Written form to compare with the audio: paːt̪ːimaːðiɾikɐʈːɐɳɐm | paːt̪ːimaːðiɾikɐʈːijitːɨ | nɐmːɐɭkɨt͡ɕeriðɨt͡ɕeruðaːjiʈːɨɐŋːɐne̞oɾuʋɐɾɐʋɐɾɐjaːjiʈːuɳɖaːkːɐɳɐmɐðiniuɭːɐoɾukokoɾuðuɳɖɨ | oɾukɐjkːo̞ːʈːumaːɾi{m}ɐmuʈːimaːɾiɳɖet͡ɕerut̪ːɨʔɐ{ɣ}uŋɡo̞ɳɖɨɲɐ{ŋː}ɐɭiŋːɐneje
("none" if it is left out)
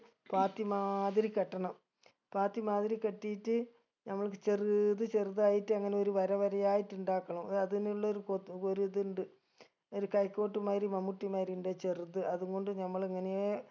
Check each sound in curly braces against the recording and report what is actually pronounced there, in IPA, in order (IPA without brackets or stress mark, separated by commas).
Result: m, ð, mː